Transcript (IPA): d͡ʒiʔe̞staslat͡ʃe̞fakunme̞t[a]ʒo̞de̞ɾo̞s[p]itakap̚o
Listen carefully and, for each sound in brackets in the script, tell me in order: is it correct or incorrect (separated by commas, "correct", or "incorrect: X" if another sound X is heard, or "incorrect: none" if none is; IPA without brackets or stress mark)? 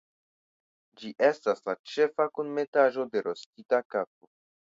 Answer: correct, incorrect: t